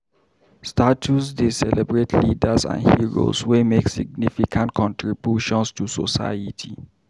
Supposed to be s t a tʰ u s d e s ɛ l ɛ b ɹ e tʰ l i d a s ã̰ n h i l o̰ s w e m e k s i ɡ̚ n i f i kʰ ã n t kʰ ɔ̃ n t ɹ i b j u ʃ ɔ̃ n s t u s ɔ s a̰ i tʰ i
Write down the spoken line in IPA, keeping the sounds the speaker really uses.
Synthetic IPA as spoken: s t a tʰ u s d e s ɛ l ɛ b ɹ e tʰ l i d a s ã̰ n h i ɹ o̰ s w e m e k s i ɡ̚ n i f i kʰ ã n t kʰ ɔ̃ n t ɹ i b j u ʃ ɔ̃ n s t u s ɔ s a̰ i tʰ i